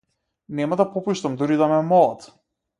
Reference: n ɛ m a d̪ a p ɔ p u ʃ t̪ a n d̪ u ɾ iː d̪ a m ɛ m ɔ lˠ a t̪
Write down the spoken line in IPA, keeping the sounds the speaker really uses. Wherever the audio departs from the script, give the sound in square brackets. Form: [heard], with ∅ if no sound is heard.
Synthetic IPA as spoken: n ɛ m a d̪ a p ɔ p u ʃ t̪ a [m] d̪ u ɾ [i] d̪ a m ɛ m ɔ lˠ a t̪